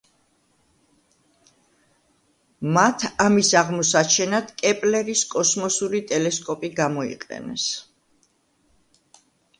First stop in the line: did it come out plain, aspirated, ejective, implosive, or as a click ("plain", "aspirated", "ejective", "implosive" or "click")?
aspirated